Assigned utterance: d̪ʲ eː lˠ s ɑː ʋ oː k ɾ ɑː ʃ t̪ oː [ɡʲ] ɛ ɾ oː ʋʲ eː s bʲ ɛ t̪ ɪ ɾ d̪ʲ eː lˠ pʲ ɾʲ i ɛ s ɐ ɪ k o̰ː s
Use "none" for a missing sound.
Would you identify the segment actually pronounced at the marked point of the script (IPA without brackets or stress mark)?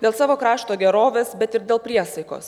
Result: ɡʲ